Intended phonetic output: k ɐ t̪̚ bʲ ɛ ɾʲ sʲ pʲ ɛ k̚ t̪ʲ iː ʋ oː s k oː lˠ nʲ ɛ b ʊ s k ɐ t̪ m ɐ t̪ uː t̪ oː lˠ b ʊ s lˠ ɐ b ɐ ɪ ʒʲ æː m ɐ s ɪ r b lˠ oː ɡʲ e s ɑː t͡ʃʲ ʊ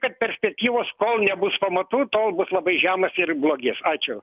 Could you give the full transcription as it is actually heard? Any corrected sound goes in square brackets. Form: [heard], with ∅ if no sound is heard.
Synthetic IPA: k ɐ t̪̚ [pʲ] ɛ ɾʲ sʲ pʲ ɛ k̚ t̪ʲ iː ʋ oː s k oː lˠ nʲ ɛ b ʊ s [p] ɐ [∅] m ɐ t̪ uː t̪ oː lˠ b ʊ s lˠ ɐ b ɐ ɪ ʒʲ æː m ɐ s ɪ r b lˠ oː ɡʲ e s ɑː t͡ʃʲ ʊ